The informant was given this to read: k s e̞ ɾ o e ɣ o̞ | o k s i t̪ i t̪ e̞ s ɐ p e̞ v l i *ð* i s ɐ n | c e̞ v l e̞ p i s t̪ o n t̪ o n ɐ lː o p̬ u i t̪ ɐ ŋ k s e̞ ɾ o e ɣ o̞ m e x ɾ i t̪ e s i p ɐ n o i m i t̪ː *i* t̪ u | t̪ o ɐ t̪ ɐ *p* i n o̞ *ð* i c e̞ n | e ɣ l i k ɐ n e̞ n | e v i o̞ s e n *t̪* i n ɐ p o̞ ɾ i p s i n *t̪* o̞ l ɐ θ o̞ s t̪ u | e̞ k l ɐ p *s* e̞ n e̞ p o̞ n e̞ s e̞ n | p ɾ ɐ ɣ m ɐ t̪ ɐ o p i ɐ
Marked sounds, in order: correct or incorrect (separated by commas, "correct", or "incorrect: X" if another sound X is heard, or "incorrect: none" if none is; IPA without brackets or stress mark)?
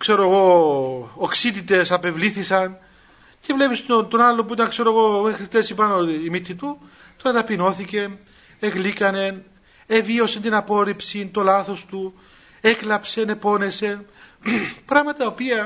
incorrect: θ, correct, correct, incorrect: θ, correct, correct, correct